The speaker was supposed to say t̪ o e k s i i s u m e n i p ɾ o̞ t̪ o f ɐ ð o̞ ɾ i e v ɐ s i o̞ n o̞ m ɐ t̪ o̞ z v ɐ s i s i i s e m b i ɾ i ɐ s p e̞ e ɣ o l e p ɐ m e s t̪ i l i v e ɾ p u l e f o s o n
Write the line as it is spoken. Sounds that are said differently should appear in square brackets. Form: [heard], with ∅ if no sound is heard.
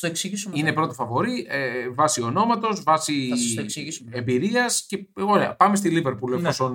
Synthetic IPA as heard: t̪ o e k s i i s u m [i] n [e] p ɾ o̞ t̪ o f ɐ [v] o̞ ɾ i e v ɐ s i o̞ n o̞ m ɐ t̪ o̞ z v ɐ s i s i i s e m b i ɾ i ɐ s [c] e̞ e ɣ o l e p ɐ m e s t̪ i l i v e ɾ p u l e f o s o n